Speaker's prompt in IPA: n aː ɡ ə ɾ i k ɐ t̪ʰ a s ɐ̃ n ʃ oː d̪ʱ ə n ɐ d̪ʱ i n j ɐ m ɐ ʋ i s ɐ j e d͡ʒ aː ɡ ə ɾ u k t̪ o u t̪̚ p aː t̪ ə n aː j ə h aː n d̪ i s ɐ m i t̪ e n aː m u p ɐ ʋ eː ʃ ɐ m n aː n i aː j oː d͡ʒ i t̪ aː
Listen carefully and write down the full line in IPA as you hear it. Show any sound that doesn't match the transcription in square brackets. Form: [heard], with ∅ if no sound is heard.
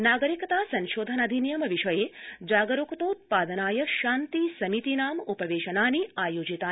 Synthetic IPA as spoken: n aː ɡ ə ɾ i k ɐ [t̪] a s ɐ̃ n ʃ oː d̪ʱ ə n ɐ d̪ʱ i n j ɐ m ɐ ʋ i [ʃ] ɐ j e d͡ʒ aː ɡ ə ɾ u k t̪ o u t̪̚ p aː [d̪] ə n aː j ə [ʃ] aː n [t̪] i s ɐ m i t̪ [i] n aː m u p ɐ ʋ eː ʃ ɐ [∅] n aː n i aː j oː d͡ʒ i t̪ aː